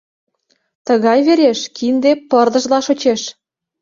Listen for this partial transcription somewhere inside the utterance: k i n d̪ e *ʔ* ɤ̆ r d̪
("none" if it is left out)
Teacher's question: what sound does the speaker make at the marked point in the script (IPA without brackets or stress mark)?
p